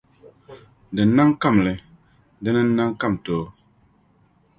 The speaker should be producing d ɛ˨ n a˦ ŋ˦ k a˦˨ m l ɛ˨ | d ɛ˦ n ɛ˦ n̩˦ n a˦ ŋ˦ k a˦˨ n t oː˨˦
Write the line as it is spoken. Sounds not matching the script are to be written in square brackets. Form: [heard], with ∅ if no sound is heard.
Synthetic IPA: d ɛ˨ n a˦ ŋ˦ k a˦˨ m l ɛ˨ | d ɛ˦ n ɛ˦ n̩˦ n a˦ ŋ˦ k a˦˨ [m] t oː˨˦